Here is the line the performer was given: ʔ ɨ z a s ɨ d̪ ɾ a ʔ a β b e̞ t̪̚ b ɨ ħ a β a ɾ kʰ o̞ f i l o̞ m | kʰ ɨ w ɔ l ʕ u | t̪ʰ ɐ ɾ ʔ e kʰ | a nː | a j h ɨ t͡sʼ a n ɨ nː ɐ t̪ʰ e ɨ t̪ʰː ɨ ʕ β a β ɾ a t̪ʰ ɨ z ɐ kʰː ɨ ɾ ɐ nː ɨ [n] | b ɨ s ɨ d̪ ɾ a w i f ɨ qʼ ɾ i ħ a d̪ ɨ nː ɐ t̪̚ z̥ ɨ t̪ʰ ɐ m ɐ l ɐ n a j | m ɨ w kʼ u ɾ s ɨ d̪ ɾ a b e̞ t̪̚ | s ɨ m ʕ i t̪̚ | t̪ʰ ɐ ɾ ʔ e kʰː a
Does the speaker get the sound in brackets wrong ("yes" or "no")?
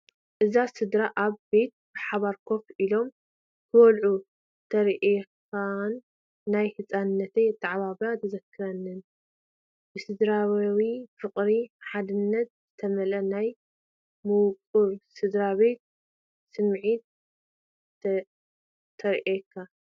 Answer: no